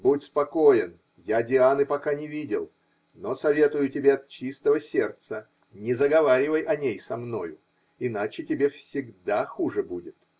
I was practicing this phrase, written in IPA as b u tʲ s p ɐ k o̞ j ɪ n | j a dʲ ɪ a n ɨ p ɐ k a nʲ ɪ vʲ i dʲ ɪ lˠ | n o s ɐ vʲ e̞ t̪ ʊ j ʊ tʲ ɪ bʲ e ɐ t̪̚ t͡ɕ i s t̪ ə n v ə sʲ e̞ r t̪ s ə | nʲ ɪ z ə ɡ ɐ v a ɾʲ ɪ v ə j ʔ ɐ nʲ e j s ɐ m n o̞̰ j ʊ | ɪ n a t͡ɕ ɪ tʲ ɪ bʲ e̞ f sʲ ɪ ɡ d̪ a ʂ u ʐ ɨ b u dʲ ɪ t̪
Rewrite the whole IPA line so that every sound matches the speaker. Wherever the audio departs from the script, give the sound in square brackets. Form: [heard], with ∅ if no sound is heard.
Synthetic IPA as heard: b u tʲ s p ɐ k o̞ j ɪ n | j a dʲ ɪ a n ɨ p ɐ k a nʲ ɪ vʲ i dʲ ɪ lˠ | n o s ɐ vʲ e̞ t̪ ʊ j ʊ tʲ ɪ bʲ e ɐ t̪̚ t͡ɕ i s t̪ ə [∅] v ə sʲ e̞ r t̪ s ə | nʲ ɪ z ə ɡ ɐ v a ɾʲ ɪ v ə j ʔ ɐ nʲ e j s ɐ m n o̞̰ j ʊ | ɪ n a t͡ɕ ɪ tʲ ɪ bʲ e̞ f sʲ ɪ ɡ d̪ a [x] u ʐ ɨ b u dʲ ɪ t̪